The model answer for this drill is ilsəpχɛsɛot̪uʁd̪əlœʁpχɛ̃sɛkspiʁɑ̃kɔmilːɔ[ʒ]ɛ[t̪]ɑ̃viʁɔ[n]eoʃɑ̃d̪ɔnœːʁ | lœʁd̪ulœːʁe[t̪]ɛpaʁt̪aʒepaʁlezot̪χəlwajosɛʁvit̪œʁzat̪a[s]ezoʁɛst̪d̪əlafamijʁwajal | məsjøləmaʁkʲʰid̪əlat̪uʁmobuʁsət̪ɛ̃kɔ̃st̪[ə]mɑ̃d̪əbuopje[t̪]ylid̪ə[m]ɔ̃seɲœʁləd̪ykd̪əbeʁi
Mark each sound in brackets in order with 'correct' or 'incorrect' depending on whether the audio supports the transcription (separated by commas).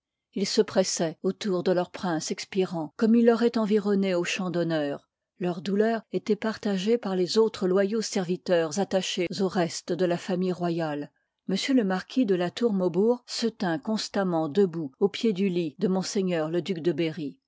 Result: incorrect, correct, correct, correct, incorrect, incorrect, incorrect, correct